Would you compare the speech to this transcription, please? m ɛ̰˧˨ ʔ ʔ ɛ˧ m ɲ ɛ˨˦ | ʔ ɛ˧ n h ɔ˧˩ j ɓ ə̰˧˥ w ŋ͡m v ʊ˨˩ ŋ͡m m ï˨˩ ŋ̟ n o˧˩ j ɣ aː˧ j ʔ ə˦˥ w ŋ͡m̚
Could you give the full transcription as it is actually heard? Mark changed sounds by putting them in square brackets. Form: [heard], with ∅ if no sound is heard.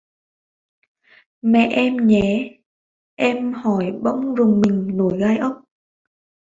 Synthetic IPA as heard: m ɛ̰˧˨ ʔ ʔ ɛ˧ m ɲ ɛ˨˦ | ʔ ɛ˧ [m] h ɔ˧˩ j ɓ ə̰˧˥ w ŋ͡m [z] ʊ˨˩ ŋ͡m m ï˨˩ ŋ̟ n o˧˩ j ɣ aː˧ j ʔ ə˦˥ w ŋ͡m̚